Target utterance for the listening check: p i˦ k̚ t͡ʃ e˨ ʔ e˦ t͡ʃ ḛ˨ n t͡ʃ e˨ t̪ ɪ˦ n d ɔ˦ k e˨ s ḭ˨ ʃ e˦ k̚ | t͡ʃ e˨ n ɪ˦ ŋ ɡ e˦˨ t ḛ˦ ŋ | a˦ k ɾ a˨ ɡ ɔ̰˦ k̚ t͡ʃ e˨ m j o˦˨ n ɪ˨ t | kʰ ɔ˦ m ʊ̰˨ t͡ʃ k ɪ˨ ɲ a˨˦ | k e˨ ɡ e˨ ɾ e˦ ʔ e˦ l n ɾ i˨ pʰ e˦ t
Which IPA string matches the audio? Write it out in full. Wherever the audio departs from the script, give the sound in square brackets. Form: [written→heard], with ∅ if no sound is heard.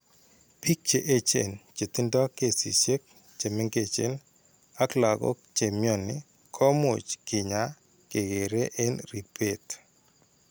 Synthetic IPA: p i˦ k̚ t͡ʃ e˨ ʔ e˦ t͡ʃ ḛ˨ n t͡ʃ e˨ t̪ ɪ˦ n d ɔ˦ k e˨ s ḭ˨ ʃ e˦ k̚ | t͡ʃ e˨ [n→m] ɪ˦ ŋ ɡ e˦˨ [t→t͡ʃ] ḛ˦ [ŋ→n] | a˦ k [ɾ→l] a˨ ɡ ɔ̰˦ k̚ t͡ʃ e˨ m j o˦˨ n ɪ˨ [t→∅] | kʰ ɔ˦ m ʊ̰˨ t͡ʃ k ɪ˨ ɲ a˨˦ | k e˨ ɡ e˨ ɾ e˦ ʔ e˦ [l→∅] n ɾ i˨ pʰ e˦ t